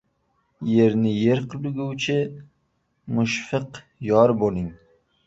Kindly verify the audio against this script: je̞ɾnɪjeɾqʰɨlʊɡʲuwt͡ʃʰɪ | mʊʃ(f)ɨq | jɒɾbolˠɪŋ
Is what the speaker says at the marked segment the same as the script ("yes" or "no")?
yes